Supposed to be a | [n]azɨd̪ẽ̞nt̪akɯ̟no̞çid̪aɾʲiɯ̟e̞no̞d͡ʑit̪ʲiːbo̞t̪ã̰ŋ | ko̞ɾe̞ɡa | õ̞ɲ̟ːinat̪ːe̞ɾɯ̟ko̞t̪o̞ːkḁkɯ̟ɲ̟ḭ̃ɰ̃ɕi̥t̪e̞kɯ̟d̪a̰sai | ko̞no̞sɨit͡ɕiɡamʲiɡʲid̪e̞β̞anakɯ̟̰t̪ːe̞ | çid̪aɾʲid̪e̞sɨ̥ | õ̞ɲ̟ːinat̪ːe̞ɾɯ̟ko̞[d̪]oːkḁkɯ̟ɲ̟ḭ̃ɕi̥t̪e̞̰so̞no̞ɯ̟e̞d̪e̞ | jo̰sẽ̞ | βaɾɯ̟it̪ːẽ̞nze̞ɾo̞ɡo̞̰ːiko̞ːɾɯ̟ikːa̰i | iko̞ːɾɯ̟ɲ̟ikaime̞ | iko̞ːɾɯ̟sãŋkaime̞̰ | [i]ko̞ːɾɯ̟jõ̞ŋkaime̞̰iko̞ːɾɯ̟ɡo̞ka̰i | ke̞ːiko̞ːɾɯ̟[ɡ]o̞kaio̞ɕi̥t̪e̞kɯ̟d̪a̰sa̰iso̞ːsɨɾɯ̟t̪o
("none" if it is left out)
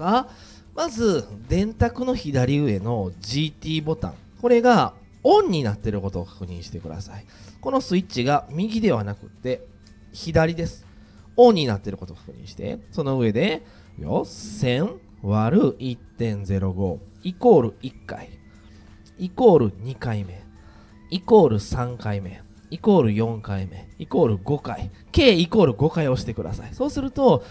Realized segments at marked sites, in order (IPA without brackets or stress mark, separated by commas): m, t̪, i, ɡ